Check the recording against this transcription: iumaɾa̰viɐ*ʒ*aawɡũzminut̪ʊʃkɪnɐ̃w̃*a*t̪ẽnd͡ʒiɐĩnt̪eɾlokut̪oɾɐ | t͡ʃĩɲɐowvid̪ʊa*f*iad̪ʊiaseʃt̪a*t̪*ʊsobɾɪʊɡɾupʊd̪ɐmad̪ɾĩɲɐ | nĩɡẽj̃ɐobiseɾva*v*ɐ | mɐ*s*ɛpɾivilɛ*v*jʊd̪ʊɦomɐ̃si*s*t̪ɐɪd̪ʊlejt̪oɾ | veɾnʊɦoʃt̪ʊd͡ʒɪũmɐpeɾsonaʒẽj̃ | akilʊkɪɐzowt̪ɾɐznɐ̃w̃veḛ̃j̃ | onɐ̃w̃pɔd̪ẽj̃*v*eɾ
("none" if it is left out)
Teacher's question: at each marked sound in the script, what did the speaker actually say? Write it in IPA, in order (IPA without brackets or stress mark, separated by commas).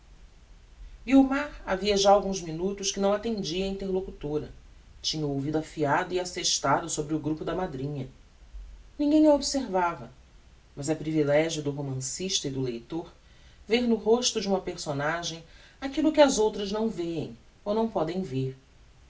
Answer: ʒ, a, f, d̪, v, z, ʒ, ʃ, v